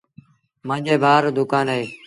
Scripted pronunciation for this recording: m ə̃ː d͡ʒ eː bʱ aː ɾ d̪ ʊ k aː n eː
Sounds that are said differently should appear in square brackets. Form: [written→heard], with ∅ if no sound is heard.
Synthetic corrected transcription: m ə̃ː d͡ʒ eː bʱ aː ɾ d̪ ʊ k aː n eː